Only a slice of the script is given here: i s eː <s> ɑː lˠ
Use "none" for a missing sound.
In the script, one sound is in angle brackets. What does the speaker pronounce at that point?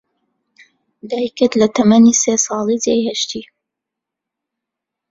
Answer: s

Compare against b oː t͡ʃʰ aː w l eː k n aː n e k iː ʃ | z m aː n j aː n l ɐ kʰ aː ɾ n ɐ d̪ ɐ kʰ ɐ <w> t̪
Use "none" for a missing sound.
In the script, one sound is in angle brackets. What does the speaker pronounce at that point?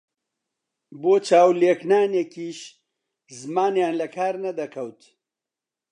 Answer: w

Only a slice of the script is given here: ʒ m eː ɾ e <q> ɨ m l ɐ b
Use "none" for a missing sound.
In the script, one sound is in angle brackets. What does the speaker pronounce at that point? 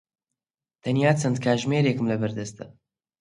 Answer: k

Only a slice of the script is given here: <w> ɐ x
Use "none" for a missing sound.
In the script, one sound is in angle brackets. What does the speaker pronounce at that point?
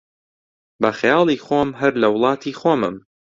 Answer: b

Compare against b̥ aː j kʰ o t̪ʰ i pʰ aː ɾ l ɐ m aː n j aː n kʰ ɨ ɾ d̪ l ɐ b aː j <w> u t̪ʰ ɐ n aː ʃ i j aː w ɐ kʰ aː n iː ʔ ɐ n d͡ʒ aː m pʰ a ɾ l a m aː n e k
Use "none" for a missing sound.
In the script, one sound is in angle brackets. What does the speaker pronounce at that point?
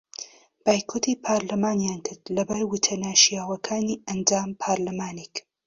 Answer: w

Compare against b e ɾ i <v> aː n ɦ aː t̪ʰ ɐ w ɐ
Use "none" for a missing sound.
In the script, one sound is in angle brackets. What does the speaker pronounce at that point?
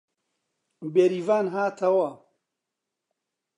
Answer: v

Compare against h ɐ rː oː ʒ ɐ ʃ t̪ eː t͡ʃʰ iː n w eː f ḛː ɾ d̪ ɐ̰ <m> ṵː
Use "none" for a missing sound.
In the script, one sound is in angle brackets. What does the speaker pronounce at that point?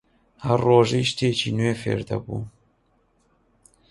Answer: b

